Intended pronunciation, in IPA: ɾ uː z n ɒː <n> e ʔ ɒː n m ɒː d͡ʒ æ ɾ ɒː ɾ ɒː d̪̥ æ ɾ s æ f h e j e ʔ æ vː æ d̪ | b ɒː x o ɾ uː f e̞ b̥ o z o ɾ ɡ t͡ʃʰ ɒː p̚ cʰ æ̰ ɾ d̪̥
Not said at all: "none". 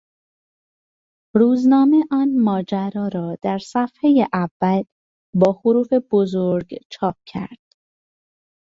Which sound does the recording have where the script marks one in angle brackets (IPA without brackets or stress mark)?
m